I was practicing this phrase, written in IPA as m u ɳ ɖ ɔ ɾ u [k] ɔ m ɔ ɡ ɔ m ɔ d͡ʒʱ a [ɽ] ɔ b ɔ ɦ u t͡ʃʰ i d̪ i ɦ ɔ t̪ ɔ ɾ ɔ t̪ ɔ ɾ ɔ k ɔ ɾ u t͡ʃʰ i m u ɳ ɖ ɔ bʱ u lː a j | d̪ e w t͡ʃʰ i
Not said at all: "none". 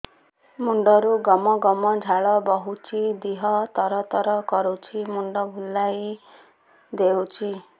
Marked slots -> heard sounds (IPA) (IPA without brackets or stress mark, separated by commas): ɡ, ɭ